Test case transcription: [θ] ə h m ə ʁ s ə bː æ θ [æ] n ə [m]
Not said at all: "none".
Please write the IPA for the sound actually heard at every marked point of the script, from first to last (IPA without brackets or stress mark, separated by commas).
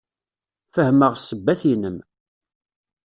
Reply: f, i, m